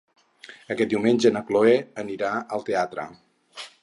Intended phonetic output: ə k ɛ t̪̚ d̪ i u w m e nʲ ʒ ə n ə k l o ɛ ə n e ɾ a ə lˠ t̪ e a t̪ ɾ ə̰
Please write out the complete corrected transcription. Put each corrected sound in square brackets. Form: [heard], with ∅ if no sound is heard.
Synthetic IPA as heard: ə k ɛ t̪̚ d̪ i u w m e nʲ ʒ ə n ə k l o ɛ ə n [i] ɾ a ə lˠ t̪ e a t̪ ɾ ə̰